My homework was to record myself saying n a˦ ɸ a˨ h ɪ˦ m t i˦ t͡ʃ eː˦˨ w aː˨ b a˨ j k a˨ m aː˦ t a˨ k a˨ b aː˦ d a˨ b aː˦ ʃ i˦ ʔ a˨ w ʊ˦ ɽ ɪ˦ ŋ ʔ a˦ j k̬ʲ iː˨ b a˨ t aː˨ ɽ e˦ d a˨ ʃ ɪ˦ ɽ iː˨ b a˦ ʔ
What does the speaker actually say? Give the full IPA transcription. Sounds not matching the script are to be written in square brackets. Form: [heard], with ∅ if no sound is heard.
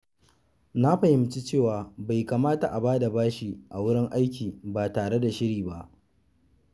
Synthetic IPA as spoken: n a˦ ɸ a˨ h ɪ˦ m [t͡ʃ] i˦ t͡ʃ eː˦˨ w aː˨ b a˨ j k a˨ m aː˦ t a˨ [ʔ] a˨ b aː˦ d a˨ b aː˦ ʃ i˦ ʔ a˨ w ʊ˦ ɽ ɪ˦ ŋ ʔ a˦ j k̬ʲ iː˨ b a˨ t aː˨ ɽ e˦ d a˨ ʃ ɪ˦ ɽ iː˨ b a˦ ʔ